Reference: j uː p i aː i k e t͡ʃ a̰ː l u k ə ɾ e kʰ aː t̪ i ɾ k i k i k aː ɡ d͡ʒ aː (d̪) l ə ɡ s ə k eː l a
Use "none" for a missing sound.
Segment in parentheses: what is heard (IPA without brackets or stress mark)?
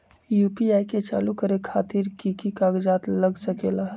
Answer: t̪